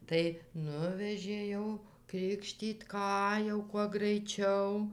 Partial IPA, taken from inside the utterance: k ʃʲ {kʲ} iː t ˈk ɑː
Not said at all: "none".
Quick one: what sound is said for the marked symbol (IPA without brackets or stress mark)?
tʲ